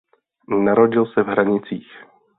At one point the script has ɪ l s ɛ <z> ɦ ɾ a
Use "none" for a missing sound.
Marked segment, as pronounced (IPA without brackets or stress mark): v